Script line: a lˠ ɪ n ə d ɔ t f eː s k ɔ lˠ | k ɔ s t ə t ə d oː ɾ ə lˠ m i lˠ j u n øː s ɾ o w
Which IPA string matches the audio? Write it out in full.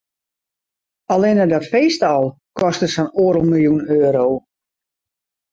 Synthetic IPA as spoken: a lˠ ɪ n ə d ɔ t f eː s t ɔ lˠ | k ɔ s t ə s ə n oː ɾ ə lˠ m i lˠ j u n øː ɾ o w